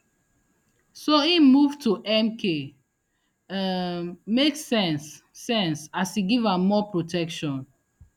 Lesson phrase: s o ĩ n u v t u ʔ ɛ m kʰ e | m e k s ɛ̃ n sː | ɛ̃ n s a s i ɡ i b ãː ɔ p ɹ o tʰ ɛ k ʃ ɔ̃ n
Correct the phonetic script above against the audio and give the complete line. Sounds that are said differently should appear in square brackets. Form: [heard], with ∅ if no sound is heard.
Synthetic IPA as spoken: s o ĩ [m] u v t u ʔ ɛ m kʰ e | m e k s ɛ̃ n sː | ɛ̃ n s a s i ɡ i [v] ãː ɔ p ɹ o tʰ ɛ k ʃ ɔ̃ n